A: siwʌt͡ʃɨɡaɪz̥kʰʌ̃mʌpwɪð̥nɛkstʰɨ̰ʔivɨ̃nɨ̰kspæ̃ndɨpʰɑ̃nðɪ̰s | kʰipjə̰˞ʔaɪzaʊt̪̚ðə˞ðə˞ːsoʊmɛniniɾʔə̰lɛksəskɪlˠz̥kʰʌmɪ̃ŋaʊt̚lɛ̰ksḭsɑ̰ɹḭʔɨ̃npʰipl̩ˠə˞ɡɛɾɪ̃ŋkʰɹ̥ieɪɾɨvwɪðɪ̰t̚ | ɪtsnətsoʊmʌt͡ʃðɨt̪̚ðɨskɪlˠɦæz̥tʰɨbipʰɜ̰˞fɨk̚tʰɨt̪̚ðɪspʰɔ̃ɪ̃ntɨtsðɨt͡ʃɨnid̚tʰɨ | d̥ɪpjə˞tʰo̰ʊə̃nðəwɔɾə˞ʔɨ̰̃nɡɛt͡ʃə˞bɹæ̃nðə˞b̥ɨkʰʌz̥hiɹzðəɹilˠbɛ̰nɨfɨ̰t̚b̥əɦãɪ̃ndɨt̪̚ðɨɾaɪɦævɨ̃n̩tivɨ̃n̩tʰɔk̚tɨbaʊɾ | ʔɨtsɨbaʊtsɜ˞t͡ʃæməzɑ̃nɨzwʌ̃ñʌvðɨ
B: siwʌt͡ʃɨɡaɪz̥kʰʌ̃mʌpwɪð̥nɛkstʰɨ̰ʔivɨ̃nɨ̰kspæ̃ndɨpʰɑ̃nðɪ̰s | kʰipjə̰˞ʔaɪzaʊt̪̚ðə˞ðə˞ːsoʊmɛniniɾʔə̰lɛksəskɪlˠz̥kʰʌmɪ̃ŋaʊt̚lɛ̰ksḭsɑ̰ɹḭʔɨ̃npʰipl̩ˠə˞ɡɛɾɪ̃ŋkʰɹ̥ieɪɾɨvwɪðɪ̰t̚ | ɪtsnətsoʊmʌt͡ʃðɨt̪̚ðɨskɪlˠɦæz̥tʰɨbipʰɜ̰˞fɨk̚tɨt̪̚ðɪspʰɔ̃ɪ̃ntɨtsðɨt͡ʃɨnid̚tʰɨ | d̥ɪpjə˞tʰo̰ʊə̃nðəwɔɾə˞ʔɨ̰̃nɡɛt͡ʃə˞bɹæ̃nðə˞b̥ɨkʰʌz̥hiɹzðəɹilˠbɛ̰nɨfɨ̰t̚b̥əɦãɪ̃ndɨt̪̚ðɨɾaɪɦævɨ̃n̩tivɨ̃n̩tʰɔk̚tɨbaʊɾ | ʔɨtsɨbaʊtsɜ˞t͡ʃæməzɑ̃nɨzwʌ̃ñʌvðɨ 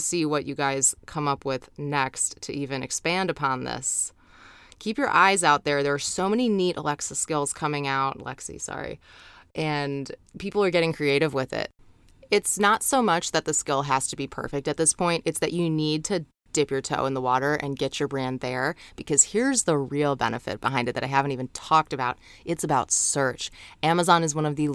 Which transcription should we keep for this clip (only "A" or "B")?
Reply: B